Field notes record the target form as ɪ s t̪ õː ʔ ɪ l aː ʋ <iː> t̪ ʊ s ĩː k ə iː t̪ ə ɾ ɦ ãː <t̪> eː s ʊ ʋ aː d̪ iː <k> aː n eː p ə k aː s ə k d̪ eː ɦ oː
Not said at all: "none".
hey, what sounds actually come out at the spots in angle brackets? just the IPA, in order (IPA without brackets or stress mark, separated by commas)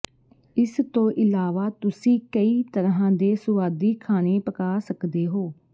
aː, d̪, kʰ